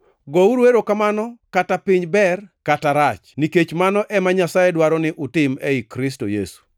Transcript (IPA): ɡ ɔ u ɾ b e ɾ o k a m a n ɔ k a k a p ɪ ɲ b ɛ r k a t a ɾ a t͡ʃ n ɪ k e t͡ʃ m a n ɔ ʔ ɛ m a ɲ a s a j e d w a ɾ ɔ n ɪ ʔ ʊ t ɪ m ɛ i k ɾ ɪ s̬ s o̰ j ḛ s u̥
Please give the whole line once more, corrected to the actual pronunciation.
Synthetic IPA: ɡ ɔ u ɾ w e ɾ o k a m a n ɔ k a t a p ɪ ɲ b ɛ r k a t a ɾ a t͡ʃ n i k e t͡ʃ m a n ɔ ʔ ɛ m a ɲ a s a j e d w a ɾ ɔ n ɪ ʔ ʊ t ɪ m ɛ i k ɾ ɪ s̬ t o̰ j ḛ s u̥